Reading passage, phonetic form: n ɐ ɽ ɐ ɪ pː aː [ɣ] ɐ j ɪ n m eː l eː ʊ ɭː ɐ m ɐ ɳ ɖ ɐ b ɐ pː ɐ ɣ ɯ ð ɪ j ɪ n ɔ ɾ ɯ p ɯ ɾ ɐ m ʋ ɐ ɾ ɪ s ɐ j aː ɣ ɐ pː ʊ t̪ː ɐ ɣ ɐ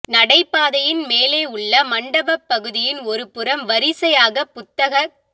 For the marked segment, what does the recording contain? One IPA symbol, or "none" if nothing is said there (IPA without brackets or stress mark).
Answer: ð